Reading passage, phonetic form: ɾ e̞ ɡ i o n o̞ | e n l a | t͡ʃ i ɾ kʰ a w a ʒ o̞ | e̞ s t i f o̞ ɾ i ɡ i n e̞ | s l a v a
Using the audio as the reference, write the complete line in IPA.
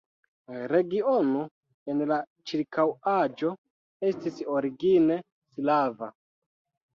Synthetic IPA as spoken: ɾ e̞ ɡ i o n o̞ | e n l a | t͡ʃ i ɾ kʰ a w a d͡ʒ o̞ | e̞ s t i s o̞ ɾ i ɡ i n e̞ | s l a v a